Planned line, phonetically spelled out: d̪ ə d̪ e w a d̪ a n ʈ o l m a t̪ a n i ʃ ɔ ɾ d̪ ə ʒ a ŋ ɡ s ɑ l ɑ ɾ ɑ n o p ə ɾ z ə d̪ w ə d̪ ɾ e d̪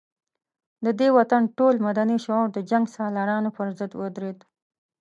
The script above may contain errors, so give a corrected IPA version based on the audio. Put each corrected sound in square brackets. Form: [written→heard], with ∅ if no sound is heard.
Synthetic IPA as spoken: d̪ ə d̪ e w a [d̪→t̪] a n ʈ o l m a [t̪→d̪] a n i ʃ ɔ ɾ d̪ ə [ʒ→d͡ʒ] a ŋ ɡ s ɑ l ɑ ɾ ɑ n o p ə ɾ z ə d̪ w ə d̪ ɾ e d̪